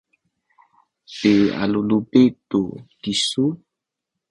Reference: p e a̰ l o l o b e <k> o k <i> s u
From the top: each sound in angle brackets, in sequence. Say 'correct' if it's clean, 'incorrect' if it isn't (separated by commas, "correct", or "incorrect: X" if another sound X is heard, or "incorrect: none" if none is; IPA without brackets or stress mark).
incorrect: t, correct